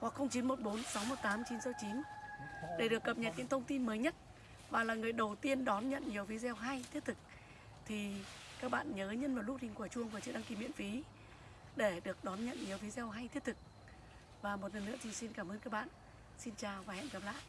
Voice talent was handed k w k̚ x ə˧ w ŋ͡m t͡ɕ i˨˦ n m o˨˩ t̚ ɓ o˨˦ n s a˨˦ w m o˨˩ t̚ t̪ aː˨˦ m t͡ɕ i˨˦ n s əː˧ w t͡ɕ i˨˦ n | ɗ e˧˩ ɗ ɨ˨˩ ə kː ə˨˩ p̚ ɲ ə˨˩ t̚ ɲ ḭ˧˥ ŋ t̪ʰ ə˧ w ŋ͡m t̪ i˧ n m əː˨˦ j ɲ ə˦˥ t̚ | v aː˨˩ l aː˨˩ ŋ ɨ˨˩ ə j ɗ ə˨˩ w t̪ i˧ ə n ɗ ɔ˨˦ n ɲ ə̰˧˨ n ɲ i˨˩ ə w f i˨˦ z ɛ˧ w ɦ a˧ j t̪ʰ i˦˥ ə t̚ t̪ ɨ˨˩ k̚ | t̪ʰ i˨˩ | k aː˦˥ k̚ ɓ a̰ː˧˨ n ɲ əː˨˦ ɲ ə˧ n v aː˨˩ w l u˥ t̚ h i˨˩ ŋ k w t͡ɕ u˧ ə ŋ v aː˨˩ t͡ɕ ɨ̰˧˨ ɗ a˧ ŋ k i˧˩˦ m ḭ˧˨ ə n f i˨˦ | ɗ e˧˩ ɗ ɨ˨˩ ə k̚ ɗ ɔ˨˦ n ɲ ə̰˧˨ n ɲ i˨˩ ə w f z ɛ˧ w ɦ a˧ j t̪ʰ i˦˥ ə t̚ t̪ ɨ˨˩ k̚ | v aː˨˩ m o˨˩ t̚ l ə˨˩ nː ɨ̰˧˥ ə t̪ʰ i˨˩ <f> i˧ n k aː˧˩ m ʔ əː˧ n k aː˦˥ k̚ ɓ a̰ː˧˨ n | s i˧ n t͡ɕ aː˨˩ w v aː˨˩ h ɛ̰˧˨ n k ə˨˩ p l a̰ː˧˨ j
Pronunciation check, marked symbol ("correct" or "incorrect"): incorrect